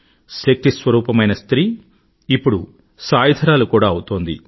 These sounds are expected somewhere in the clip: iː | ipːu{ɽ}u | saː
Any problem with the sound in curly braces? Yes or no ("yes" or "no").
no